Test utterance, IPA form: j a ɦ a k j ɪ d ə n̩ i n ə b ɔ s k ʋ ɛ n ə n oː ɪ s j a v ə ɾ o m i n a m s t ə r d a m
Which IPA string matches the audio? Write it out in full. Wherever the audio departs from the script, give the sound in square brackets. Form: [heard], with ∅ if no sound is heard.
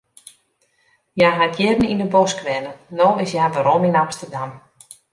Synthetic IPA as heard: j a ɦ a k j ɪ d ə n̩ i n ə b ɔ s k ʋ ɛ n ə n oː ɪ s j a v ə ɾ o m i n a m s t ə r d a m